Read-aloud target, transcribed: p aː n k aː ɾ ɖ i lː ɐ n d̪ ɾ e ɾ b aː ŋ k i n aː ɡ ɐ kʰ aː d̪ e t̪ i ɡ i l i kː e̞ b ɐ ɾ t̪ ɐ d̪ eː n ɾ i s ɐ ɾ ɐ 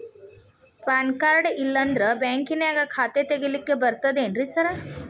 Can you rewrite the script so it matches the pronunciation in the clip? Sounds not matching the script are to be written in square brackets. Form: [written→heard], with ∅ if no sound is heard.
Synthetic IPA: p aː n k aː ɾ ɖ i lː ɐ n d̪ ɾ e [ɾ→∅] b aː ŋ k i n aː ɡ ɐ kʰ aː [d̪→t̪] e t̪ [i→e] ɡ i l i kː e̞ b ɐ ɾ t̪ ɐ d̪ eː n ɾ i s ɐ ɾ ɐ